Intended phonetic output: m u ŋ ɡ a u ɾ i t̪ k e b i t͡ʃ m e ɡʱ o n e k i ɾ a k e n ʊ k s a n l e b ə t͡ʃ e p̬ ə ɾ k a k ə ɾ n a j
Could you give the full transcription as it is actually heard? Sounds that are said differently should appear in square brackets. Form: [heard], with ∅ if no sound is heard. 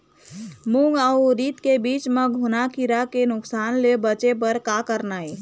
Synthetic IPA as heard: m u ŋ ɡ a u ɾ i t̪ k e b i t͡ʃ m e ɡʱ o n [a] k i ɾ a k e n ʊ k s a n l e b ə t͡ʃ e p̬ ə ɾ k a k ə ɾ n a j